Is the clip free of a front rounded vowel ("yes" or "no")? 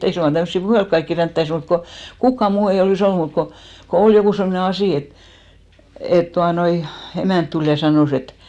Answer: yes